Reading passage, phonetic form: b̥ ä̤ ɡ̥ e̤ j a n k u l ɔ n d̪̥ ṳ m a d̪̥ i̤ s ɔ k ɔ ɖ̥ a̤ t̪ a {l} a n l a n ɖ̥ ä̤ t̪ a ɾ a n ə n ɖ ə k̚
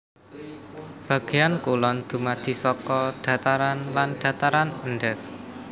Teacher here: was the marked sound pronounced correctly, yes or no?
no